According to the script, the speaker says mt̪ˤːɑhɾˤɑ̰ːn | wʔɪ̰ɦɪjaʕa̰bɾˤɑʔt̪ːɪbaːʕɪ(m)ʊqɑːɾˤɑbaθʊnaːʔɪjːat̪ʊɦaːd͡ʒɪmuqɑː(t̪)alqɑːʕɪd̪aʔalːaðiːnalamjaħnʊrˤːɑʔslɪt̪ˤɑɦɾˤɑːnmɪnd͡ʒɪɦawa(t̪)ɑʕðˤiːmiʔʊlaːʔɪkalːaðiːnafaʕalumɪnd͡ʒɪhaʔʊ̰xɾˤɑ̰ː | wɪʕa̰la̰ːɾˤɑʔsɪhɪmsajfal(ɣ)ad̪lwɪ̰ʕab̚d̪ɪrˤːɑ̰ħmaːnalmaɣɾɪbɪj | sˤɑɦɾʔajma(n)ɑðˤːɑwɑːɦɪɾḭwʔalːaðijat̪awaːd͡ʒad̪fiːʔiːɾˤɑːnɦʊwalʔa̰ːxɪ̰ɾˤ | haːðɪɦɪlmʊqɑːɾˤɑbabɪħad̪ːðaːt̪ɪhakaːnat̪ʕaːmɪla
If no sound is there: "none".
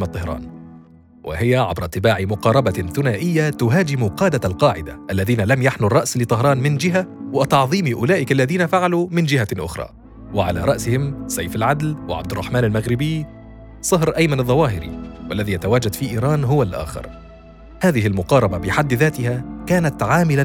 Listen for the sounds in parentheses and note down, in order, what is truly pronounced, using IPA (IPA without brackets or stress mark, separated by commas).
m, d̪, t̪, ʕ, n